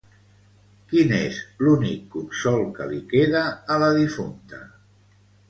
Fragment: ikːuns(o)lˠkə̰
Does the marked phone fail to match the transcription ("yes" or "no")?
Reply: yes